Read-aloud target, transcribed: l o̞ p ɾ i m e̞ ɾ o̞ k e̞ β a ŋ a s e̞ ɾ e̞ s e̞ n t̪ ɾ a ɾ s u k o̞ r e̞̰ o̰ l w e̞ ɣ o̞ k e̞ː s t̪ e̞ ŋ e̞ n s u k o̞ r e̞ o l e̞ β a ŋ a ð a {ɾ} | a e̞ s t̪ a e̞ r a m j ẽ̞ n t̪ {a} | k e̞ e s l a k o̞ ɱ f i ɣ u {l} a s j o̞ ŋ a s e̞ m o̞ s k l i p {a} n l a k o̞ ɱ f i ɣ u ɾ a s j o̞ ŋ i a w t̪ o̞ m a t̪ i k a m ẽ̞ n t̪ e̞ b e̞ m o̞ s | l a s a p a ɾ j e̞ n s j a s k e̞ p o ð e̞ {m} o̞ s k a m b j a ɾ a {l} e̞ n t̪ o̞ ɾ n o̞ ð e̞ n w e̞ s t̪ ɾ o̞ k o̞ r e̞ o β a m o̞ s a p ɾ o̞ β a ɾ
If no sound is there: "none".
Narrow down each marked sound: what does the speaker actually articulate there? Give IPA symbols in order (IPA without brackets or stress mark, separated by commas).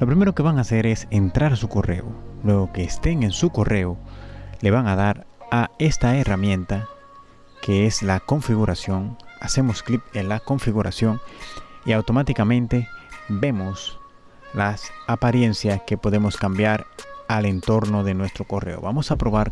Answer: ɾ, a, ɾ, e, m, l